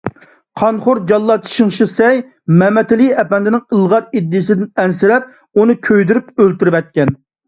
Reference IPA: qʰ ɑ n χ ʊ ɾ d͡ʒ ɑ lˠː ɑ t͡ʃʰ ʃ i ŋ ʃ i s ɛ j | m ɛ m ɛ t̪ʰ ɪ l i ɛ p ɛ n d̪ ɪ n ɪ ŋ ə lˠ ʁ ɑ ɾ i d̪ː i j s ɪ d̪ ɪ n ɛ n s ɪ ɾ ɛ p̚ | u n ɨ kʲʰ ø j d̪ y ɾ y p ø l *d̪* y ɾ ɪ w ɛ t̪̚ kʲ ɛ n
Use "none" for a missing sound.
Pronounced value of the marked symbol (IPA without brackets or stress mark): t̪